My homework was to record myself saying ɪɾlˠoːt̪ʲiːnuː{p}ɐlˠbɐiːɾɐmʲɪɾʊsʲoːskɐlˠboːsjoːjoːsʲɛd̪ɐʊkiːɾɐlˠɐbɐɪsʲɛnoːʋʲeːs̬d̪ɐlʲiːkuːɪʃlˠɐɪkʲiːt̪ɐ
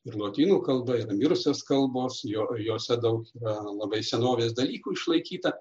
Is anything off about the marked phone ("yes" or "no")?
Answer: yes